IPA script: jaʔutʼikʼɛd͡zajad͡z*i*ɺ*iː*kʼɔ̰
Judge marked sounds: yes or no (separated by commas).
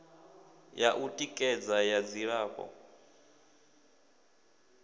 yes, no